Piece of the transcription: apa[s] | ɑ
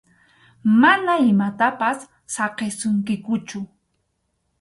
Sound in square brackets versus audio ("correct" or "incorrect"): incorrect